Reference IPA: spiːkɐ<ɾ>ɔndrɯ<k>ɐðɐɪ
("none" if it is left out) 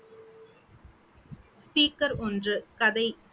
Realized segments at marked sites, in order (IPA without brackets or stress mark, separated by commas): ɾ, k